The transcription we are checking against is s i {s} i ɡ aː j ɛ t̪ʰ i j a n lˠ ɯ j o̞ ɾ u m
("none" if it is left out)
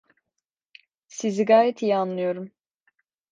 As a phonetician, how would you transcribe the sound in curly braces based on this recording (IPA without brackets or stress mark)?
z